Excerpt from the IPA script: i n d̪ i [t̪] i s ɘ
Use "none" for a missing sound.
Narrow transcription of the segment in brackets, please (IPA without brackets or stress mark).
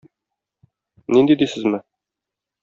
d̪